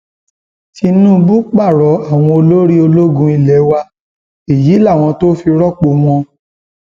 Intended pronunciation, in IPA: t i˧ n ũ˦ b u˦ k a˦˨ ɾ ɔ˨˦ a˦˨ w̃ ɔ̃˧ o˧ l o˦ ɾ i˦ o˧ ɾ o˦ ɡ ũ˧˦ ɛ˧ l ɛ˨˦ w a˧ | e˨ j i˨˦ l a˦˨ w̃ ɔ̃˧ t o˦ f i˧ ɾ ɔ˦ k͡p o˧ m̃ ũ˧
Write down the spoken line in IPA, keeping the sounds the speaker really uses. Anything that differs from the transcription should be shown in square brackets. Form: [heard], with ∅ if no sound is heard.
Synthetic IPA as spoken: t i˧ n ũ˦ b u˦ [k͡p] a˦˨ ɾ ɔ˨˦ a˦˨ w̃ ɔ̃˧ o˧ l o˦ ɾ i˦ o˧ [l] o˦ ɡ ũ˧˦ [i˧] l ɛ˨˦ w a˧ | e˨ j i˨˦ l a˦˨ w̃ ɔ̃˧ t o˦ f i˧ ɾ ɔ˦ k͡p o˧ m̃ [ɔ̃˧]